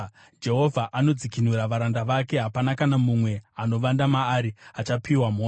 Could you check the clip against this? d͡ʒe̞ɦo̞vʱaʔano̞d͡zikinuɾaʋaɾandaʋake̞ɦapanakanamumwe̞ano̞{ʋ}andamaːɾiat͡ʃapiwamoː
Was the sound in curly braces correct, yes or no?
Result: yes